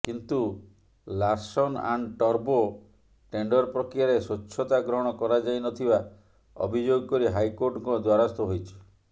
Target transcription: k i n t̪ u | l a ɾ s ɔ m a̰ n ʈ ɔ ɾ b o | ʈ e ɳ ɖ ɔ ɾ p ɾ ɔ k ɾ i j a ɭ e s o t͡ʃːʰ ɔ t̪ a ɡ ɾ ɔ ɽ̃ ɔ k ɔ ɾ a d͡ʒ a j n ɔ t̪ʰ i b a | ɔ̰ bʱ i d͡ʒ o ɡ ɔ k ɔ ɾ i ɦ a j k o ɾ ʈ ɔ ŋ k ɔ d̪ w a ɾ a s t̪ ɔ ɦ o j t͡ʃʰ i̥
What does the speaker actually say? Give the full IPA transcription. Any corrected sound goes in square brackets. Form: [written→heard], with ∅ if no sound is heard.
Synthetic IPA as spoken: k i n t̪ u | l a ɾ s ɔ [m→n] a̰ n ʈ ɔ ɾ b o | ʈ e ɳ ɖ ɔ ɾ p ɾ ɔ k ɾ i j a [ɭ→ɾ] e s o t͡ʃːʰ ɔ t̪ a ɡ ɾ ɔ ɽ̃ ɔ k ɔ ɾ a d͡ʒ a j n ɔ t̪ʰ i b a | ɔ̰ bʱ i d͡ʒ o ɡ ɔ k ɔ ɾ i ɦ a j k o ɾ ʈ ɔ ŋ k ɔ d̪ w a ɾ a s t̪ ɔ ɦ o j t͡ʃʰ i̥